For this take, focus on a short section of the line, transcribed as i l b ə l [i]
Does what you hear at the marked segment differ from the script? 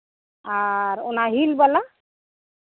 yes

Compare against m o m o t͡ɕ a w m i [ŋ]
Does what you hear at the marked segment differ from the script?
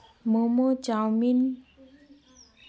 yes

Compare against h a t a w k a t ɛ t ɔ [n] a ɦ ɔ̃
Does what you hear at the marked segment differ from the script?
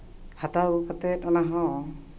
no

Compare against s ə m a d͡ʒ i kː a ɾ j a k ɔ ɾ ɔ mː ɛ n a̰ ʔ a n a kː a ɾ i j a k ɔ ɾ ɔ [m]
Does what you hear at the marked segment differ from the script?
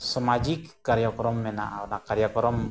no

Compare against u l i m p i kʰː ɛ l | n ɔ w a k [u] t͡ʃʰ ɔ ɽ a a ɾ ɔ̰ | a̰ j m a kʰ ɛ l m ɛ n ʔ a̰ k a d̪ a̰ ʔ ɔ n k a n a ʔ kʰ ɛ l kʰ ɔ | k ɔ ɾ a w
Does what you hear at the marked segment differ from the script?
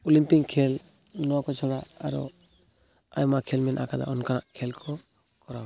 yes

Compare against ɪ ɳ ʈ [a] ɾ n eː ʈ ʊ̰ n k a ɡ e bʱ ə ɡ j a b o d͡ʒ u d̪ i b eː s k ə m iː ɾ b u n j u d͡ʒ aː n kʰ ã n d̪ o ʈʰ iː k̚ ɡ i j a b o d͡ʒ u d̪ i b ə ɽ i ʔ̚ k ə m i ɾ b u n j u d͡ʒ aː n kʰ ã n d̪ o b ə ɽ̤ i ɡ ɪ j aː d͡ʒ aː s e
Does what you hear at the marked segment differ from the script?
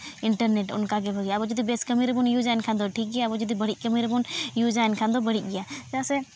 yes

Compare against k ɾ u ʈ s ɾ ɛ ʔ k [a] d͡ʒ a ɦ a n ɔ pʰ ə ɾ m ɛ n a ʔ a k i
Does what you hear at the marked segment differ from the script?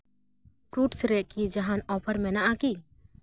yes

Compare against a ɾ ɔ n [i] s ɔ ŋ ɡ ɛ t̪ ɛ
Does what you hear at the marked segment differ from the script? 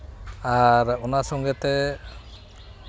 yes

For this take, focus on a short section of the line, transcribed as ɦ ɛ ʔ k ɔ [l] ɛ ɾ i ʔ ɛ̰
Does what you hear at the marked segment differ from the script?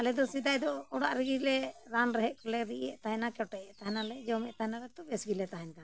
no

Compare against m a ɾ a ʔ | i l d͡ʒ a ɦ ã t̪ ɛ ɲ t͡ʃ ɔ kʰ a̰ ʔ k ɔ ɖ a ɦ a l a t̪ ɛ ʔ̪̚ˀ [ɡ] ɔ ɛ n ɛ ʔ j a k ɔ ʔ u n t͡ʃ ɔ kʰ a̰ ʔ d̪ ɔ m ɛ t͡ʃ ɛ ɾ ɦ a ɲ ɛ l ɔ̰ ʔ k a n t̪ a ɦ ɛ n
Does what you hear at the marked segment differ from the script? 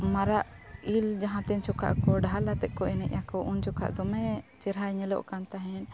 yes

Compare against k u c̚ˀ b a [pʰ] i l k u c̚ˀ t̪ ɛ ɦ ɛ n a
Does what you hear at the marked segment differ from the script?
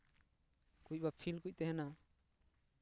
no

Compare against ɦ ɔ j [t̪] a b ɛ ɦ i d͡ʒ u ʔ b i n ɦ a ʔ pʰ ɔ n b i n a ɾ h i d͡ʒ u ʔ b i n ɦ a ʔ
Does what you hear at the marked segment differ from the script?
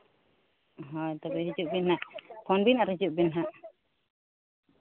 no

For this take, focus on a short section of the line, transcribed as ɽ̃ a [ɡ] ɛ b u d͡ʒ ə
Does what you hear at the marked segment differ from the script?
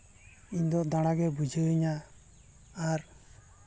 no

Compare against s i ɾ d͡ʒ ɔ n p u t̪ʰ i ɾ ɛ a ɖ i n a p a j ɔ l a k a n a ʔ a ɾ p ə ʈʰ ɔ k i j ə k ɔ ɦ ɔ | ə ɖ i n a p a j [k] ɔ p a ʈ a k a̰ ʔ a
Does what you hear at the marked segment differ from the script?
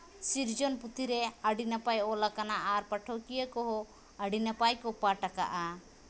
no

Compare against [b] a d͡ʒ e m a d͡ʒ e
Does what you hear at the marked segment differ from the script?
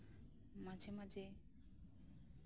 yes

